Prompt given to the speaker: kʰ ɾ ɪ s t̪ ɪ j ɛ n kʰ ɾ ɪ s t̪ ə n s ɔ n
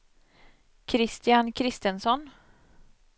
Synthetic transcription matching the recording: kʰ ɾ ɪ s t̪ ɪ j a n kʰ ɾ ɪ s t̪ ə n s ɔ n